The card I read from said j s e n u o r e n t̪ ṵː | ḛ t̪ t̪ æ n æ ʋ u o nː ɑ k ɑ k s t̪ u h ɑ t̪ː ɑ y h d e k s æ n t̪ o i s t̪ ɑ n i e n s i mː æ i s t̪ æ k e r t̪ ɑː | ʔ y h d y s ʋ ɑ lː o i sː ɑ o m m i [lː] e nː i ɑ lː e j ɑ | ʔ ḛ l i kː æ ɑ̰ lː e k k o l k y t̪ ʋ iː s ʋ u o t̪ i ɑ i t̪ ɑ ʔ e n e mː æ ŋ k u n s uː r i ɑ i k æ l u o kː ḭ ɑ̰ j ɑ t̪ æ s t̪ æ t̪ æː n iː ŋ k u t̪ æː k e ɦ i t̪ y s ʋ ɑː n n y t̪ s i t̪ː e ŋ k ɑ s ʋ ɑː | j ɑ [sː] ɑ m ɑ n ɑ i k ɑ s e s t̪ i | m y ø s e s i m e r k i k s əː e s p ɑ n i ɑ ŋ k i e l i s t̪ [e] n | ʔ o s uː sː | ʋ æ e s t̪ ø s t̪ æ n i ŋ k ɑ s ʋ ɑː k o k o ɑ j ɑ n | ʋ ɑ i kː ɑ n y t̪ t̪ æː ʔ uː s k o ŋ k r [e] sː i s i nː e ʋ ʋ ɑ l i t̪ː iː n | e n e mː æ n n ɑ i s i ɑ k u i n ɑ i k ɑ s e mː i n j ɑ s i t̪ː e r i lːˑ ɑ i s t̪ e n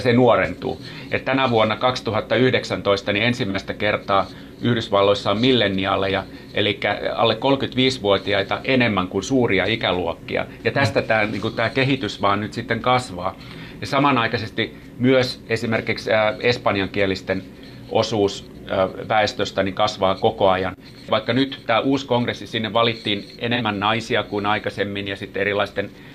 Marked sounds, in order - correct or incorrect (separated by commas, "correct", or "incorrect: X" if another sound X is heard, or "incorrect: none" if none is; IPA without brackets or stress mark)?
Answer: correct, incorrect: s, correct, correct